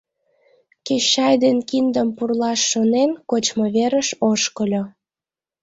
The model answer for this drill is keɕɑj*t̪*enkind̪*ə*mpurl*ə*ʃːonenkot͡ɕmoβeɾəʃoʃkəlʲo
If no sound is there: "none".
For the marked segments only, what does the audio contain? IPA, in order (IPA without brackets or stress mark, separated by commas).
d̪, ə, ɑ